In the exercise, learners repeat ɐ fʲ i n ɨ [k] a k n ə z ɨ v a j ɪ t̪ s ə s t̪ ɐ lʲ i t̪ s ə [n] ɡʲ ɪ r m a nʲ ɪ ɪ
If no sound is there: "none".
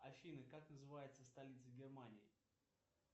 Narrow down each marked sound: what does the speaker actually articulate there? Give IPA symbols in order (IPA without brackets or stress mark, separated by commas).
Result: k, none